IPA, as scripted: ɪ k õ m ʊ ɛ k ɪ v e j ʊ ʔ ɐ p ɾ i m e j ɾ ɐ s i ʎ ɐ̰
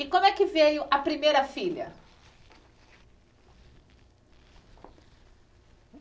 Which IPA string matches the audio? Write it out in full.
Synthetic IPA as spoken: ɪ k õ m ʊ ɛ k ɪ v e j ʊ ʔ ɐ p ɾ i m e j ɾ ɐ f i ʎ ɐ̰